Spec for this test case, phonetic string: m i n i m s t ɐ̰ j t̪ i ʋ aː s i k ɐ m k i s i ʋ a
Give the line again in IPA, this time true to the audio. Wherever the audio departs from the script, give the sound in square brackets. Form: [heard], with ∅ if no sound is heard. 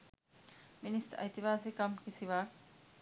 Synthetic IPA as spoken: m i n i [∅] s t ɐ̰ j t̪ i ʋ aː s i k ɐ m k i s i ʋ a